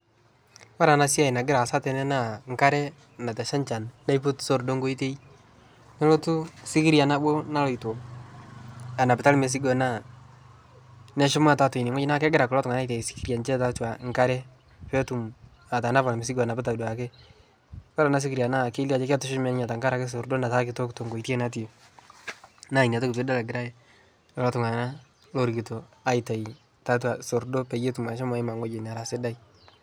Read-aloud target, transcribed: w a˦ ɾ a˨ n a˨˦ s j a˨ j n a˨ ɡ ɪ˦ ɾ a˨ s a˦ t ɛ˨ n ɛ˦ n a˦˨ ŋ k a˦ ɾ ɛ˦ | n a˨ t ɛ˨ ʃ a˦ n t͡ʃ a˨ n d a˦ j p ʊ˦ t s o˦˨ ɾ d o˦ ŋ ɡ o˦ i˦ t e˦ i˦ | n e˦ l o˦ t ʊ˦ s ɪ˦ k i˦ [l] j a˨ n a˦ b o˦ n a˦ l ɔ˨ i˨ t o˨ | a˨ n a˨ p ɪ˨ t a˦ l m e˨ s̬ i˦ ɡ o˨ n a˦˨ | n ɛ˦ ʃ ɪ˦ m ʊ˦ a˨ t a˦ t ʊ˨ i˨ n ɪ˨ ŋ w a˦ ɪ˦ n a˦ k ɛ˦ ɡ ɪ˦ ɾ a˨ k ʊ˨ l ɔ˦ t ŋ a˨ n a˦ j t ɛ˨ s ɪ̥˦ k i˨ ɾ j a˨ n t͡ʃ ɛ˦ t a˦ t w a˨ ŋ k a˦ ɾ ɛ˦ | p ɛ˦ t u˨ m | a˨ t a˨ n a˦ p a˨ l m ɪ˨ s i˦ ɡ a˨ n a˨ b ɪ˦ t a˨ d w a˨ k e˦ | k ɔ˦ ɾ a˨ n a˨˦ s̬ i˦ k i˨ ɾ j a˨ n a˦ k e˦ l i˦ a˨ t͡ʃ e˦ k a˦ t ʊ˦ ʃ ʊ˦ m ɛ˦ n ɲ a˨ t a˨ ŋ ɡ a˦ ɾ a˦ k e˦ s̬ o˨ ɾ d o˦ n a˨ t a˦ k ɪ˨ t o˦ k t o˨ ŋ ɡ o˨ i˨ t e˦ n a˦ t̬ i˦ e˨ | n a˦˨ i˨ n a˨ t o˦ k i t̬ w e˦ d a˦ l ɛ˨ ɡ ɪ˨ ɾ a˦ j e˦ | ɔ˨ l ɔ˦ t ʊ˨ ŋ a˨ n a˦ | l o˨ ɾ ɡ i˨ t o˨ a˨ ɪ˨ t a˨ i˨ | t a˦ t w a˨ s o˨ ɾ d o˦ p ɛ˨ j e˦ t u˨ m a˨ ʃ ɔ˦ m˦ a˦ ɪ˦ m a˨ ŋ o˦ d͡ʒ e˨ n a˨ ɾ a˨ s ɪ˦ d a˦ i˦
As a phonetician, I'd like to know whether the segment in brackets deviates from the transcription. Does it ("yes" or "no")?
yes